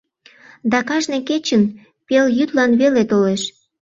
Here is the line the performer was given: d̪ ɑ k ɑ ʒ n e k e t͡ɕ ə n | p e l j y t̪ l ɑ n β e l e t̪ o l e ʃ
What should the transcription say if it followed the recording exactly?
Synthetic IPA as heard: d̪ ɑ k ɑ ʒ n e k e t͡ɕ ə n | p e l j y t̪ l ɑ n β e l e t̪ o l e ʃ